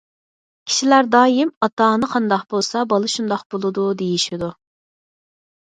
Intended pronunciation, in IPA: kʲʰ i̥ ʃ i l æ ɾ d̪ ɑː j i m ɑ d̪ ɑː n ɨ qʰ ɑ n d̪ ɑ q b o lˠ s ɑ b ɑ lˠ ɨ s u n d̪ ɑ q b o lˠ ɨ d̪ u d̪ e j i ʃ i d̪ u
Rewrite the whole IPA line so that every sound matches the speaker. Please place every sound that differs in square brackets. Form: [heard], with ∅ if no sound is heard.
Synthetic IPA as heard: kʲʰ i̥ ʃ i l æ ɾ d̪ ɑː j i m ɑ [t̪] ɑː n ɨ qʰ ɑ n d̪ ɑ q b o lˠ s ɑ b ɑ lˠ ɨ [ʃ] u n d̪ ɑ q b o lˠ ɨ d̪ u d̪ e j i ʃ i d̪ u